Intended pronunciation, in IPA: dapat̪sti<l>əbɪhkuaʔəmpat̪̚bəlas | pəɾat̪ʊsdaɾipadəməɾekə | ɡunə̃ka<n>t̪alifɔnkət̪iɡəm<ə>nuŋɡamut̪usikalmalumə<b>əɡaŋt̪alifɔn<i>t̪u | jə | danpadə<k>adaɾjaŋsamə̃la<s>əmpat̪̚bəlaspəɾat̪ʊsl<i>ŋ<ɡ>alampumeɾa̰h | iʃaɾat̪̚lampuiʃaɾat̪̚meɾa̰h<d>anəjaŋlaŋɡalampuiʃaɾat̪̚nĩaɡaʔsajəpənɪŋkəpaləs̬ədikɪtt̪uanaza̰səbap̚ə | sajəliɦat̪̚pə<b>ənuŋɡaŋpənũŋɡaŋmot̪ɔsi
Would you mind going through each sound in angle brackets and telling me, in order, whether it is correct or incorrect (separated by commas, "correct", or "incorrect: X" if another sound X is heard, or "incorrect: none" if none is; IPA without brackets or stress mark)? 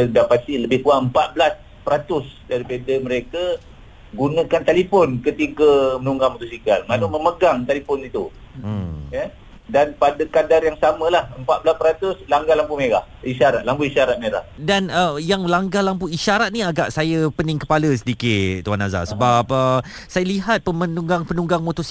correct, correct, correct, incorrect: m, correct, correct, incorrect: h, incorrect: a, correct, correct, incorrect: m